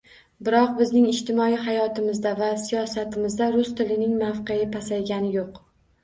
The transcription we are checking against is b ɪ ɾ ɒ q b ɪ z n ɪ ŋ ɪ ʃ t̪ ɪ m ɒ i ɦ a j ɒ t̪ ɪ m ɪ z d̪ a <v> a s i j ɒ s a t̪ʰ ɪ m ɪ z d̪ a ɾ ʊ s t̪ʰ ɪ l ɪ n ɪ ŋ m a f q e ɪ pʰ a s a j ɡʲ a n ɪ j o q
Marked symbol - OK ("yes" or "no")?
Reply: yes